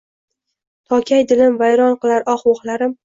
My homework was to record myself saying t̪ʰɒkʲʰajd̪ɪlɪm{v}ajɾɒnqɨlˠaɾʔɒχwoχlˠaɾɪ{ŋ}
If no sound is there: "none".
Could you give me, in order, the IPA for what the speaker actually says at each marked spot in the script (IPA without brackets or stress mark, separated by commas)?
v, m